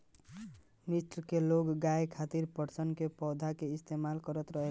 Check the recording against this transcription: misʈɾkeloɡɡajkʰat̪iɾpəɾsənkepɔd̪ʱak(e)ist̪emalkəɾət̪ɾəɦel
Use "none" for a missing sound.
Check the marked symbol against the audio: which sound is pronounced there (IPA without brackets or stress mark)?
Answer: e